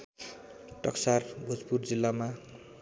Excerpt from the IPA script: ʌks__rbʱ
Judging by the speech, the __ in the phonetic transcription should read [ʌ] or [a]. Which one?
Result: a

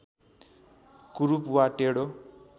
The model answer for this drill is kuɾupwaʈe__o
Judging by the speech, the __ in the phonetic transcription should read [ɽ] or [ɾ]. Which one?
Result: ɽ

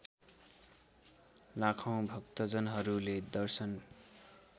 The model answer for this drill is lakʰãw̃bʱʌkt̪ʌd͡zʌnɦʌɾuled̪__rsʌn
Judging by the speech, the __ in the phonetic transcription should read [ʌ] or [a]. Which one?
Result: ʌ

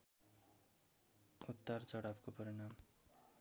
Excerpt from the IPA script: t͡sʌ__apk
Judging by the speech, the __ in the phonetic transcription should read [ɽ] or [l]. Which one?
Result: ɽ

